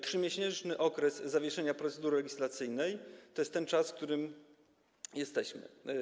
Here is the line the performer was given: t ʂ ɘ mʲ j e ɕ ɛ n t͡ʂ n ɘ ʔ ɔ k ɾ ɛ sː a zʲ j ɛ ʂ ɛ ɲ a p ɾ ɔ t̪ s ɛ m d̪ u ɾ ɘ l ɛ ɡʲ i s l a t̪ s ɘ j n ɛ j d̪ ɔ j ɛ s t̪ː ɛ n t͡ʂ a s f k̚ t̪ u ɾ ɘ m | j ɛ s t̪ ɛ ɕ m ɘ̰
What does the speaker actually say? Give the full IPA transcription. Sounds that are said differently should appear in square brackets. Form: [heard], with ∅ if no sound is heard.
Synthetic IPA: t ʂ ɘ mʲ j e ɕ ɛ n t͡ʂ n ɘ ʔ ɔ k ɾ ɛ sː a [vʲ] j ɛ ʂ ɛ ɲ a p ɾ ɔ t̪ s ɛ [∅] d̪ u ɾ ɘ l ɛ ɡʲ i s l a t̪ s ɘ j n ɛ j [t̪] ɔ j ɛ s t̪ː ɛ n t͡ʂ a s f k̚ t̪ u ɾ ɘ m | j ɛ s t̪ ɛ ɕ m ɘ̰